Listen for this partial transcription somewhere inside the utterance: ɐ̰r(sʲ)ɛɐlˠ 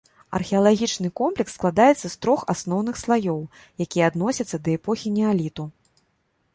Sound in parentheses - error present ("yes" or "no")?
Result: yes